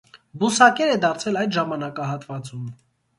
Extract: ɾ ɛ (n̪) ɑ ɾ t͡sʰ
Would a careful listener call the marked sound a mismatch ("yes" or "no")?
yes